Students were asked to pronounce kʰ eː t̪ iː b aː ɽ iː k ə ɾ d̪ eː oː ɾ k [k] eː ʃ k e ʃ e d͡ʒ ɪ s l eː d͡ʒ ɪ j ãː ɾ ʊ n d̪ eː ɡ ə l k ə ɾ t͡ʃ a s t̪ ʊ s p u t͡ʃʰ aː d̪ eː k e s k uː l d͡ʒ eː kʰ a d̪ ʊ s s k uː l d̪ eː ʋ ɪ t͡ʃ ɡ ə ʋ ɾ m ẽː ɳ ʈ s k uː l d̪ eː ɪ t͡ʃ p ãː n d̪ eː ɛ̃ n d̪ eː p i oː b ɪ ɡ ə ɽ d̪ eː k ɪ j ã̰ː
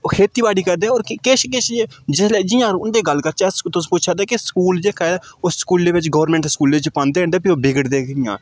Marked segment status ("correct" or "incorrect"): correct